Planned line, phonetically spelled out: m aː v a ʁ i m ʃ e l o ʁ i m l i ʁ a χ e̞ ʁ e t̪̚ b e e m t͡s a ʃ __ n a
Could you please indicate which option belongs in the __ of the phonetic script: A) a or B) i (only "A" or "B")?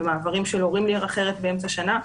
A